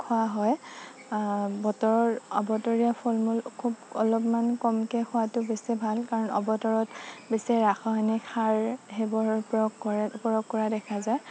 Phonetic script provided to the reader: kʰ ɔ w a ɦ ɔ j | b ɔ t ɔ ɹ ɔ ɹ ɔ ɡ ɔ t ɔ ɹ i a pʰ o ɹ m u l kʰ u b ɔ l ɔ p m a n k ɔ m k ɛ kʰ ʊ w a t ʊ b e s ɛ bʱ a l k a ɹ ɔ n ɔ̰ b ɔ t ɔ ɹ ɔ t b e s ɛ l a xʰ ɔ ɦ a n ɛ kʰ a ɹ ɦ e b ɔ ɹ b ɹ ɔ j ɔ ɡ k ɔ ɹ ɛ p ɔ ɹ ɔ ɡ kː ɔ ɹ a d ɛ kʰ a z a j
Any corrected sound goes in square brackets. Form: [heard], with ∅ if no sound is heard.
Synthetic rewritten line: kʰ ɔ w a ɦ ɔ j | b ɔ t ɔ ɹ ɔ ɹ ɔ [b] ɔ t ɔ ɹ i a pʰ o [l] m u l kʰ u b ɔ l ɔ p m a n k ɔ m k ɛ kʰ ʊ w a t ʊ b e s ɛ bʱ a l k a ɹ ɔ n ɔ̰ b ɔ t ɔ ɹ ɔ t b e s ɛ [ɹ] a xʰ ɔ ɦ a n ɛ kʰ a ɹ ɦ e b ɔ ɹ [p] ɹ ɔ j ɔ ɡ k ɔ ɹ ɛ p ɔ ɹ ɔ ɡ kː ɔ ɹ a d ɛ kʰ a z a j